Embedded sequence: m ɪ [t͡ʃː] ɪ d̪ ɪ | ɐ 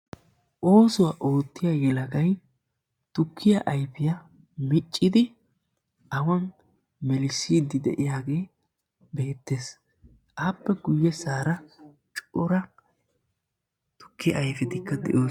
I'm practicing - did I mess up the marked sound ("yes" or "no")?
yes